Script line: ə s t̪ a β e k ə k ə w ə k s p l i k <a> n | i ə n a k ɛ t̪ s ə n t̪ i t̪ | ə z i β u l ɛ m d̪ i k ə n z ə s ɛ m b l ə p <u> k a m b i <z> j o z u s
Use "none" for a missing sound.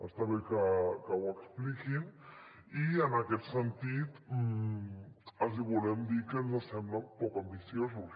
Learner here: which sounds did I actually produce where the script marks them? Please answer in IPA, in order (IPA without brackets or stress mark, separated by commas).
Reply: i, ɔ, s